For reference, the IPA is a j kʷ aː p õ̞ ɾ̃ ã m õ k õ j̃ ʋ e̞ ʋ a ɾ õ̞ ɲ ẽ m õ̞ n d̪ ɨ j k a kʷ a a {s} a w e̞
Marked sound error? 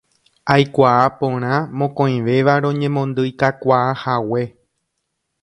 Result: yes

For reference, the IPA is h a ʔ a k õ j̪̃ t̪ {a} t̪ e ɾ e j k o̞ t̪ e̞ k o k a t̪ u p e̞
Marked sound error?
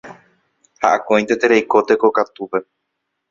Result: yes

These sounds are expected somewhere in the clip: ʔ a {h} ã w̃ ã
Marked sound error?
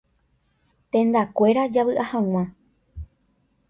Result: no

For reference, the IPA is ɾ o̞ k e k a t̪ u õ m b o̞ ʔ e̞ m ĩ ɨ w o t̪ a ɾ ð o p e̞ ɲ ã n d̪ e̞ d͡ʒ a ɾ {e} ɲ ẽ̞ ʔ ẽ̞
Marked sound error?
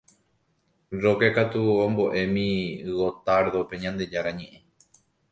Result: yes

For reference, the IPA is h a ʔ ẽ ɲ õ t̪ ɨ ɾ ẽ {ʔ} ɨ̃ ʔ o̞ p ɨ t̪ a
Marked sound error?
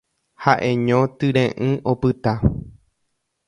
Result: no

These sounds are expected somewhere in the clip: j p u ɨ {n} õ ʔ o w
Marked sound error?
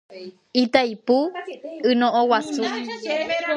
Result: no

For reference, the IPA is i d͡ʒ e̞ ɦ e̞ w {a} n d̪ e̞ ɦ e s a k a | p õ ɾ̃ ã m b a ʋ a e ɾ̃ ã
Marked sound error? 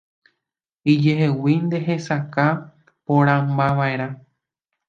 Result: yes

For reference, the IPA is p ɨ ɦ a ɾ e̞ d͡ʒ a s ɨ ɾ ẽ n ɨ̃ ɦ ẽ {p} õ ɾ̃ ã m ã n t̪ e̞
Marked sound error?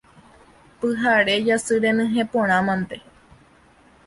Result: no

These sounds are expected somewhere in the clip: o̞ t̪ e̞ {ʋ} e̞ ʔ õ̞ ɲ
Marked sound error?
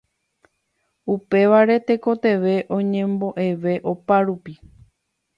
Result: no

